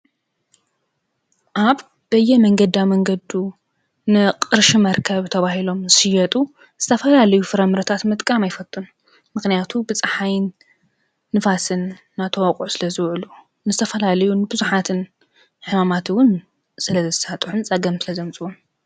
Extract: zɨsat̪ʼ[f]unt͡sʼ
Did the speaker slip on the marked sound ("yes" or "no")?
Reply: yes